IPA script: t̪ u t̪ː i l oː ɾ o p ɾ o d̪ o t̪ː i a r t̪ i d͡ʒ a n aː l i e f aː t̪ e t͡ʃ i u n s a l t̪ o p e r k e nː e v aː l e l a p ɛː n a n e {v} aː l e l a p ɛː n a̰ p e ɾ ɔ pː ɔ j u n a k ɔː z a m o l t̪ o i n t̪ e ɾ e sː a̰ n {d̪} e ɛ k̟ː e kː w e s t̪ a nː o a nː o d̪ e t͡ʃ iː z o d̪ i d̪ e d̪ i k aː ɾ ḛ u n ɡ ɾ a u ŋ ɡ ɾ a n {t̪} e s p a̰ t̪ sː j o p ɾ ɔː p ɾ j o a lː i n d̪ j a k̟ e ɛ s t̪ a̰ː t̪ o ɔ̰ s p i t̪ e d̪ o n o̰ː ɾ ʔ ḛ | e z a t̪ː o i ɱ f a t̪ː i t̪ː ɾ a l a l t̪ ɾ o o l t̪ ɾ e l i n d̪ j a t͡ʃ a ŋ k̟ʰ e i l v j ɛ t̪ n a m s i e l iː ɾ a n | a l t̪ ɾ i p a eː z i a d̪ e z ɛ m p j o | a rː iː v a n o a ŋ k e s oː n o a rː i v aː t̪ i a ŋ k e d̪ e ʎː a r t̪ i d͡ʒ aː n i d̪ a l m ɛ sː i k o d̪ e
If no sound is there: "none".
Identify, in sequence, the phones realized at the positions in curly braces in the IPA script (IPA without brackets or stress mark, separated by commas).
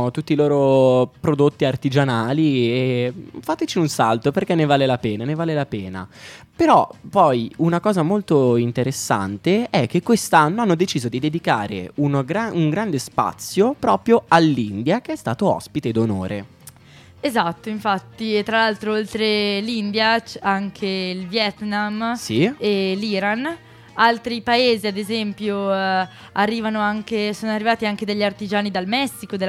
v, t̪, d̪